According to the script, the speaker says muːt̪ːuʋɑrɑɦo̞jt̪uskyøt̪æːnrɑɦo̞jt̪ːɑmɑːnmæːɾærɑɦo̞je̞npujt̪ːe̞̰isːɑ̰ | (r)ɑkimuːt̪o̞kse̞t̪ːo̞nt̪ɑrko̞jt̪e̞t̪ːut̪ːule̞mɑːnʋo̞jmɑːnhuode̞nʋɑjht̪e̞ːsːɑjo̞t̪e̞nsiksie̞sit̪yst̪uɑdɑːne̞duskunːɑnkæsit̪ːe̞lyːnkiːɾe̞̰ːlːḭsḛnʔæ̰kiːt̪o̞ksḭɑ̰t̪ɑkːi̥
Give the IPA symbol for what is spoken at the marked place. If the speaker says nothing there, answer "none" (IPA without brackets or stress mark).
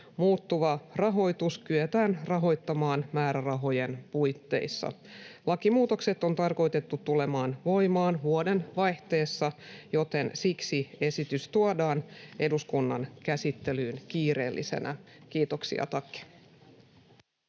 l